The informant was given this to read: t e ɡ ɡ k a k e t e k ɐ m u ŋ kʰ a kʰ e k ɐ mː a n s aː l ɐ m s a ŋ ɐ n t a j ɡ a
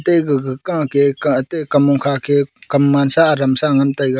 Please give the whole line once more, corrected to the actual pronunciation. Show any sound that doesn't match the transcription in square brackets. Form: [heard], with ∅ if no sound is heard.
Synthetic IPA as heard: t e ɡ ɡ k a k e t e k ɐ m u ŋ kʰ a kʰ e k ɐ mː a n s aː [ɾ] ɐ m s a ŋ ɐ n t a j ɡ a